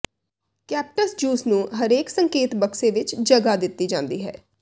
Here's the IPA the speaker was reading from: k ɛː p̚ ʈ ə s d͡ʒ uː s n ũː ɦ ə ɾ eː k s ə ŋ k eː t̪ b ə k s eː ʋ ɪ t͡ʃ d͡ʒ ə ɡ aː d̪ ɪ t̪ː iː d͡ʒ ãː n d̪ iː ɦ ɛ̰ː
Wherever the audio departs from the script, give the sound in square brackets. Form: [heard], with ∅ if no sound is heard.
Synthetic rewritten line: k ɛː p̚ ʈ ə s d͡ʒ uː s n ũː ɦ ə ɾ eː k s ə ŋ k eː t̪ b ə k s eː ʋ ɪ t͡ʃ d͡ʒ ə ɡ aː d̪ ɪ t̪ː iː d͡ʒ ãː n d̪ iː ɦ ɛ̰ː